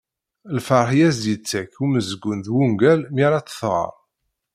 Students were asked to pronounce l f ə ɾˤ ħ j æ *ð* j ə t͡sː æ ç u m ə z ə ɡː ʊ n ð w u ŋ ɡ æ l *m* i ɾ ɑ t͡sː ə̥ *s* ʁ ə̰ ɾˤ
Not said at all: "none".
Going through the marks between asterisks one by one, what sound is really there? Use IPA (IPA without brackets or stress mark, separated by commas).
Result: z, m, θ